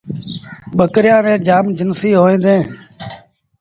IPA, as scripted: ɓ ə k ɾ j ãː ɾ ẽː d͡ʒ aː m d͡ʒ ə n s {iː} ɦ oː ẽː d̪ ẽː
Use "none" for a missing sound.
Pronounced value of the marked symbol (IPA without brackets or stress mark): iː